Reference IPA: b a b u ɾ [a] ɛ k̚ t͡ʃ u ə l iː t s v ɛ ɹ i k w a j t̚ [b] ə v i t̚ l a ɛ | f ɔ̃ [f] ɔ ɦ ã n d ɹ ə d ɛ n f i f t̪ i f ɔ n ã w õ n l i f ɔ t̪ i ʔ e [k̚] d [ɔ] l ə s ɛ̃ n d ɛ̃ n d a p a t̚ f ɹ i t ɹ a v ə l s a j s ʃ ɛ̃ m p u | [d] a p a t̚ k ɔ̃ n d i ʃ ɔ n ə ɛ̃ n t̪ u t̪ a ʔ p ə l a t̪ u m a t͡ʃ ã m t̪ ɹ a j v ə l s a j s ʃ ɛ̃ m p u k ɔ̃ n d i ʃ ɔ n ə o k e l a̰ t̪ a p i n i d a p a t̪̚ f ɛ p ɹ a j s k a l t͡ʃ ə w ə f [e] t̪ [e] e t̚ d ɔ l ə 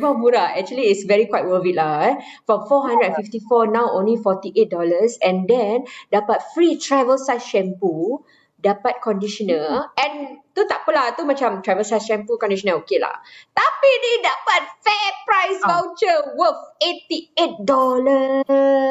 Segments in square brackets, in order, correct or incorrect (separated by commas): correct, incorrect, correct, incorrect, correct, correct, correct, incorrect